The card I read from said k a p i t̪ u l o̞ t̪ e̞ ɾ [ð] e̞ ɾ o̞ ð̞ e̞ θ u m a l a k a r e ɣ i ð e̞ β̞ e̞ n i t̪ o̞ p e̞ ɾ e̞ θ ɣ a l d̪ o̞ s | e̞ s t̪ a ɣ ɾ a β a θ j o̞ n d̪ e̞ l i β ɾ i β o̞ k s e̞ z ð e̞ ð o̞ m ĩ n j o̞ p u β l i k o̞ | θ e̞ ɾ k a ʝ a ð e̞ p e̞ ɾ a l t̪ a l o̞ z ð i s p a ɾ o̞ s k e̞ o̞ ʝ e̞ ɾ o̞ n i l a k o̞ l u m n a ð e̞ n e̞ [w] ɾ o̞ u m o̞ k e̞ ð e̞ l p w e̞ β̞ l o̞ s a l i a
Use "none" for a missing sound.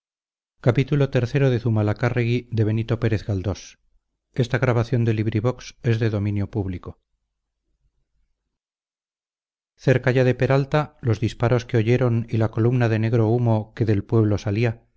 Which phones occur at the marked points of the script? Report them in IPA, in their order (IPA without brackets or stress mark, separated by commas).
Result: θ, ɣ